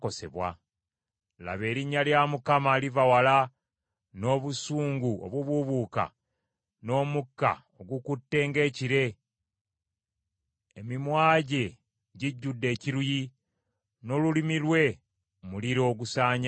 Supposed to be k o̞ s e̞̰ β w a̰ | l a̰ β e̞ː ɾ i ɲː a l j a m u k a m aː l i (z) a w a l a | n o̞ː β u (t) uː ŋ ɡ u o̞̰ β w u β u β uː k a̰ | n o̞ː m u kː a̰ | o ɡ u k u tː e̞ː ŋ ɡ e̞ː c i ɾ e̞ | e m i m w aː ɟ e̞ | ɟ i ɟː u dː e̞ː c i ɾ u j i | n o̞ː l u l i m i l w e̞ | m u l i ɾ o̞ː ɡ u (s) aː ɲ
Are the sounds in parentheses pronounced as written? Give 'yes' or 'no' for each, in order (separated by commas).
no, no, yes